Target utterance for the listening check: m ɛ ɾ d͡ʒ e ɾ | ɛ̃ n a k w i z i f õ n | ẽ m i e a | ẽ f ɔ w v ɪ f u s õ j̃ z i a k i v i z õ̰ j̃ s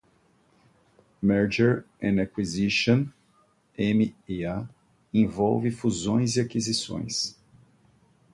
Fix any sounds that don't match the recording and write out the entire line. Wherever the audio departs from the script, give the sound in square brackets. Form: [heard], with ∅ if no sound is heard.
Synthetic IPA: m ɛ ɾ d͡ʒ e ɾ | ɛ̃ n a k w i z i [ʃ] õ n | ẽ m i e a | ẽ [v] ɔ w v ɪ f u [z] õ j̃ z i a k i [z] i [s] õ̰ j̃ s